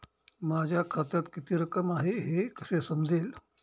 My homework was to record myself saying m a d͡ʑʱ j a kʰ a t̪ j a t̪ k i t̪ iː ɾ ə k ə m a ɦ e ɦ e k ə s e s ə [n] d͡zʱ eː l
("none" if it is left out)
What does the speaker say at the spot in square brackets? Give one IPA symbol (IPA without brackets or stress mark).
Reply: m